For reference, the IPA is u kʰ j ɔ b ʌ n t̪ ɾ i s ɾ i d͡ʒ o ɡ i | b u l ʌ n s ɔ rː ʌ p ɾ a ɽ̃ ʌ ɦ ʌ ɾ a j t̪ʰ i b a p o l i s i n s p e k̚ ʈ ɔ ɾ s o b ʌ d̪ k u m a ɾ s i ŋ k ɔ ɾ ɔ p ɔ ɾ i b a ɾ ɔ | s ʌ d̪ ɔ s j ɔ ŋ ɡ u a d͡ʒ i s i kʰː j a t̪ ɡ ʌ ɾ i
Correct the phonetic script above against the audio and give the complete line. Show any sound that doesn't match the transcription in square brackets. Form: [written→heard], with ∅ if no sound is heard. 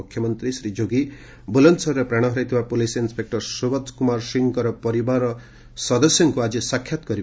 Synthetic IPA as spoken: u kʰ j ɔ [b→m] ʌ n t̪ ɾ i s ɾ i d͡ʒ o ɡ i | b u l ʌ n s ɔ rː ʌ p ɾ a ɽ̃ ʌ ɦ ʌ ɾ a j t̪ʰ i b a p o l i s i n s p e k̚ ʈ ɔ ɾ s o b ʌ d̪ k u m a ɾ s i ŋ k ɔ ɾ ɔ p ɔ ɾ i b a ɾ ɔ | s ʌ d̪ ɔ s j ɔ ŋ [ɡ→k] u a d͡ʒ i s [i→a] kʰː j a t̪ ɡ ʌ ɾ i